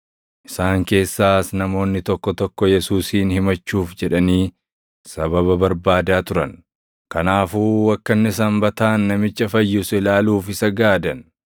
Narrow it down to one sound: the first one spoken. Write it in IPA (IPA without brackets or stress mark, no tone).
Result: ʔ